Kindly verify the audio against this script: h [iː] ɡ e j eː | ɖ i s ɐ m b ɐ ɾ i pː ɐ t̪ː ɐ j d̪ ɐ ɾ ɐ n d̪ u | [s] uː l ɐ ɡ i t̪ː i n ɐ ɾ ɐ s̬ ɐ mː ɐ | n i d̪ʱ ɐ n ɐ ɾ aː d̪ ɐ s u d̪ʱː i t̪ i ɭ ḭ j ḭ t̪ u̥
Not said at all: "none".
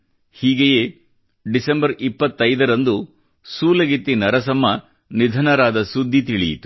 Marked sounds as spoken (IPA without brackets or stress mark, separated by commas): iː, s